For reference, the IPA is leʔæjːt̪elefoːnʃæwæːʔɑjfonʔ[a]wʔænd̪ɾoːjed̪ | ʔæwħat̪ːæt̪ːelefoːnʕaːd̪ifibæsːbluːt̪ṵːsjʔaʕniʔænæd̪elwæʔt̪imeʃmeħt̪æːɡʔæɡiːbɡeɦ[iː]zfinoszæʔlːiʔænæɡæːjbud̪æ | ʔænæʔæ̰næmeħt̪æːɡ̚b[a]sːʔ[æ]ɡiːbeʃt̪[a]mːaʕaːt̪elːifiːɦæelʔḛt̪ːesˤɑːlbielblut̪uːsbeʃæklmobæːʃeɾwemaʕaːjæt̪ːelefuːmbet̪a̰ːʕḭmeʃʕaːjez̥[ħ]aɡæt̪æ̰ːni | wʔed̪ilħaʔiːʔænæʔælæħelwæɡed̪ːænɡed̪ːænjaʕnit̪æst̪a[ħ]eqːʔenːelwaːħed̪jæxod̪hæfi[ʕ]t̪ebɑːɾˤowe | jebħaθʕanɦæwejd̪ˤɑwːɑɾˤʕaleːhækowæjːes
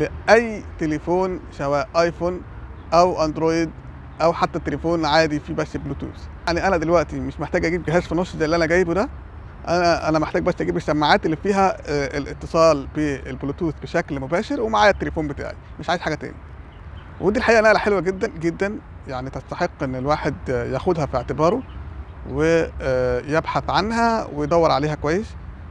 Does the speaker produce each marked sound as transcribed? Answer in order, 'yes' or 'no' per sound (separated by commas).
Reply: no, no, no, yes, no, yes, yes, yes